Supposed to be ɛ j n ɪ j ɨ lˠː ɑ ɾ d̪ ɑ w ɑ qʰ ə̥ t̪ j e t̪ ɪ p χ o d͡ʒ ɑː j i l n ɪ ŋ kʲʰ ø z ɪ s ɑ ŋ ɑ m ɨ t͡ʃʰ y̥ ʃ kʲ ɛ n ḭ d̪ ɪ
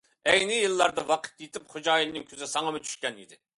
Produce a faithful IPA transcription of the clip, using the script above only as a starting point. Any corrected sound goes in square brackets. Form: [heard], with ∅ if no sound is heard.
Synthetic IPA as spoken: ɛ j n ɪ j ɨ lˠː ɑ ɾ d̪ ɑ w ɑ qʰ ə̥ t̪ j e t̪ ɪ p χ o d͡ʒ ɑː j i l n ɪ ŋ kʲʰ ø z ɪ s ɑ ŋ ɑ m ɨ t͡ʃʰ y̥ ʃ kʲ ɛ n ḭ d̪ ɪ